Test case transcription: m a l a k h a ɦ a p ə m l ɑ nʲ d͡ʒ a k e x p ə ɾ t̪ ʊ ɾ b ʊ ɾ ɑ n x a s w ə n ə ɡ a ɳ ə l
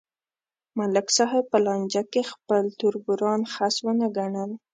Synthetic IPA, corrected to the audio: m a l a k s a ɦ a p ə l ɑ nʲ d͡ʒ a k e x p ə l t̪ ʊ ɾ b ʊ ɾ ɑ n x a s w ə n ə ɡ a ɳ ə l